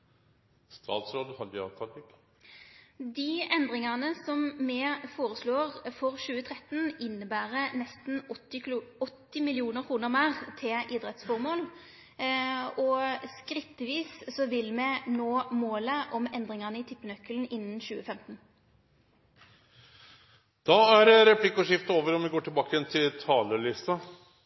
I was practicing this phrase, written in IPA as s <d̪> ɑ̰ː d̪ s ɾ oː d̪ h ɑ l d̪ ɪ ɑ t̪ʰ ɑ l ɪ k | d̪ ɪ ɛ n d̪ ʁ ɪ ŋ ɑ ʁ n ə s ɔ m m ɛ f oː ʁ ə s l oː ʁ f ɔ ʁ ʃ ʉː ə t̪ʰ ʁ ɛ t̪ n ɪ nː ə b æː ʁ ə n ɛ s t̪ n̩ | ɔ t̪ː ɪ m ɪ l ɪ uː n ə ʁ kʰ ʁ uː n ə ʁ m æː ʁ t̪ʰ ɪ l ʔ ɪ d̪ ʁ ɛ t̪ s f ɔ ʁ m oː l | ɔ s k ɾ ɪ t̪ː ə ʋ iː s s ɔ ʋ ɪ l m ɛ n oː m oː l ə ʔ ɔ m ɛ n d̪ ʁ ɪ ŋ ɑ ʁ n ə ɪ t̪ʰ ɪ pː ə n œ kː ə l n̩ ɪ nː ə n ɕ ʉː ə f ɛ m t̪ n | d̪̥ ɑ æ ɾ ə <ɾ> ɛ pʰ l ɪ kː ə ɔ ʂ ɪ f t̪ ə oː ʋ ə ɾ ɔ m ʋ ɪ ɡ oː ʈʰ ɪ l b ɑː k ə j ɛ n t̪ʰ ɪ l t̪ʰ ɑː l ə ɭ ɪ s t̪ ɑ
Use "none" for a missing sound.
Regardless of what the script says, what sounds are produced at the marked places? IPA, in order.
t̪, ɾ

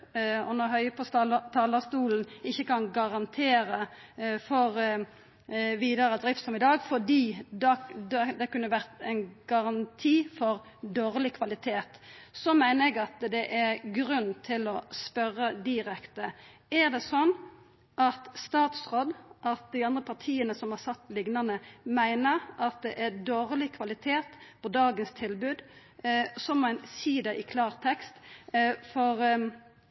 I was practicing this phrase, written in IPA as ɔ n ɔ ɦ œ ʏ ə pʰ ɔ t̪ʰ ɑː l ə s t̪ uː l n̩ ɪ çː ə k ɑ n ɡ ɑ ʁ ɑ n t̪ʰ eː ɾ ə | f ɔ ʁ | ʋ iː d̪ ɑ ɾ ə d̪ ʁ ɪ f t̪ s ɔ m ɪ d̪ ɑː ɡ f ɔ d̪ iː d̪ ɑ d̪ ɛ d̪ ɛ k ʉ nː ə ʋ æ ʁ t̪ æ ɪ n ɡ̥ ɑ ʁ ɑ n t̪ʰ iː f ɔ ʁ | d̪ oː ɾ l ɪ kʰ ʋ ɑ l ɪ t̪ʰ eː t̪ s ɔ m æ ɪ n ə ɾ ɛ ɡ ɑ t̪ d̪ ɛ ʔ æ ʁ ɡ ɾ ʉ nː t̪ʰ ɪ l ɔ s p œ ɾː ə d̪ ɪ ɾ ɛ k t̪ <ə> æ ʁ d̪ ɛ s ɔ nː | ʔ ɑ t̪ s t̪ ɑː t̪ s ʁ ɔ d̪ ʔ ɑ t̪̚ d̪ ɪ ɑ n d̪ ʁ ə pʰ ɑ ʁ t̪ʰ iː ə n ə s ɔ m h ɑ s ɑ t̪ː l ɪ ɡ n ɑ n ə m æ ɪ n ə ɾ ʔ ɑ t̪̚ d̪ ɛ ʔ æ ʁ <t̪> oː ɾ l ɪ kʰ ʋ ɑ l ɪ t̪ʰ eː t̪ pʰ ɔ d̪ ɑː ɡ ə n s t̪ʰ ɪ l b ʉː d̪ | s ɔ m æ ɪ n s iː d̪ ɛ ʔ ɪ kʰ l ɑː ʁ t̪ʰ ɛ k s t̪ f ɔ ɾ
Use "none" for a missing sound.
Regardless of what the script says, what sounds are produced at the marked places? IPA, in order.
ə, d̪

